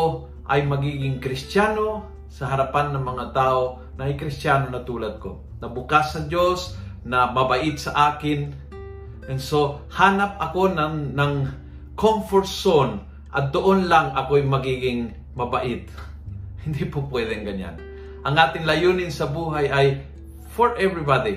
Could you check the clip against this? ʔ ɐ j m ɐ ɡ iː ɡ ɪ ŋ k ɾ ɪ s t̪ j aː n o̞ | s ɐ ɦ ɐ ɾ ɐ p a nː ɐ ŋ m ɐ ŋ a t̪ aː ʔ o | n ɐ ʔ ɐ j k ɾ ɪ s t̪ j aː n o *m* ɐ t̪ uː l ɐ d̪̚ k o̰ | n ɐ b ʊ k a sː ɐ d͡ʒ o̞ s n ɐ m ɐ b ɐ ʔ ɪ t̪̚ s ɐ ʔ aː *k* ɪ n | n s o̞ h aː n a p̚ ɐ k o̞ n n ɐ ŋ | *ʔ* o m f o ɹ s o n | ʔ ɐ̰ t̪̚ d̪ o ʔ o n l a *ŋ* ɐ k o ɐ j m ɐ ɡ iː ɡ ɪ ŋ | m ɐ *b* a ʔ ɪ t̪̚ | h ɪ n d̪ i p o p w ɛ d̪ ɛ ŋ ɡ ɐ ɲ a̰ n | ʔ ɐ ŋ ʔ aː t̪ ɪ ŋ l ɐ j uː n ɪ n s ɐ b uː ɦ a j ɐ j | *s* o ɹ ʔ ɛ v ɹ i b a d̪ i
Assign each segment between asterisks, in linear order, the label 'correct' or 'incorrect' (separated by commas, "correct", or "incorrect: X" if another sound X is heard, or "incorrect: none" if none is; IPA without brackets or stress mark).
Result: incorrect: n, correct, incorrect: k, correct, correct, incorrect: f